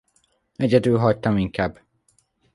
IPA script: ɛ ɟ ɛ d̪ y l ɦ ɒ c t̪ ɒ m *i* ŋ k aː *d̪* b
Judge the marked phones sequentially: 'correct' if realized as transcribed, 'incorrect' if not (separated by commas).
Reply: correct, incorrect